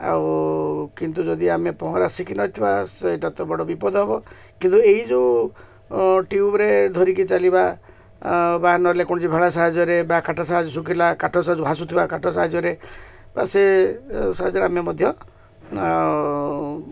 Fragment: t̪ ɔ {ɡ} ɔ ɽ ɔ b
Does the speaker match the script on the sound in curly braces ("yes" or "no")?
no